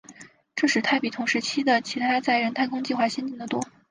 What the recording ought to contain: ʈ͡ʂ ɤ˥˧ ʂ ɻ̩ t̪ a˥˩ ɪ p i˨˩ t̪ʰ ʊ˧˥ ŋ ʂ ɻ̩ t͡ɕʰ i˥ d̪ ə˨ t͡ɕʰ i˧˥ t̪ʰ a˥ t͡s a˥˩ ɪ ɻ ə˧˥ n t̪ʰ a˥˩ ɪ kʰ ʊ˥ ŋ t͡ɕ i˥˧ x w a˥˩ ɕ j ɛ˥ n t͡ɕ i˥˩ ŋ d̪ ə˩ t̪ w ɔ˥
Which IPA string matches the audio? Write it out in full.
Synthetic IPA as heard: ʈ͡ʂ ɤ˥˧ ʂ ɻ̩ t̪ʰ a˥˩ ɪ p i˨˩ t̪ʰ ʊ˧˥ ŋ ʂ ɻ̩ t͡ɕʰ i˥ d̪ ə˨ t͡ɕʰ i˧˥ t̪ʰ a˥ t͡s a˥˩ ɪ ɻ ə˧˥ n t̪ʰ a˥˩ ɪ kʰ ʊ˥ ŋ t͡ɕ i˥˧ x w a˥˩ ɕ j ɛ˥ n t͡ɕ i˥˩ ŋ d̪ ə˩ t̪ w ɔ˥